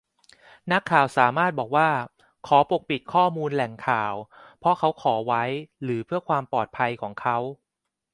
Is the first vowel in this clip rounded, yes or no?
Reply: no